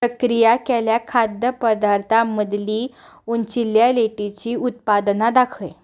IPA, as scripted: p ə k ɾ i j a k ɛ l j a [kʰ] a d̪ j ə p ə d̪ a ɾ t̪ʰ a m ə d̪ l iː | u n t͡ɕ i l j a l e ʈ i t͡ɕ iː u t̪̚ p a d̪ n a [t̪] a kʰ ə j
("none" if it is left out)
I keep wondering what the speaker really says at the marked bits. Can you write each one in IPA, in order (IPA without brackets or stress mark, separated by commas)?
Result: kʰ, d̪